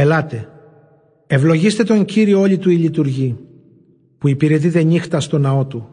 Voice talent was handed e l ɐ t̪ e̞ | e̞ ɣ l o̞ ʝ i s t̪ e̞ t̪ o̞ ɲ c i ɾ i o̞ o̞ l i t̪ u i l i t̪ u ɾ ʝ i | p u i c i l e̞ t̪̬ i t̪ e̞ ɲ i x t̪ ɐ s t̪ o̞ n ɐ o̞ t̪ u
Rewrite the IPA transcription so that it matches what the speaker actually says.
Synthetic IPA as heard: e l ɐ t̪ e̞ | e̞ v l o̞ ʝ i s t̪ e̞ t̪ o̞ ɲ c i ɾ i o̞ o̞ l i t̪ u i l i t̪ u ɾ ʝ i | p u i p i ɾ e̞ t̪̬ i t̪ e̞ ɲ i x t̪ ɐ s t̪ o̞ n ɐ o̞ t̪ u